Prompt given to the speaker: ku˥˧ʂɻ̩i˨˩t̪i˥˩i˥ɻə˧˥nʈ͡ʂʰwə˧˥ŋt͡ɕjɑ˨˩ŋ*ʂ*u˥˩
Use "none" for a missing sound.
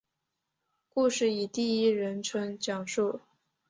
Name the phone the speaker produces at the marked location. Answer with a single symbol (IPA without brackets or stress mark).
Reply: ʂ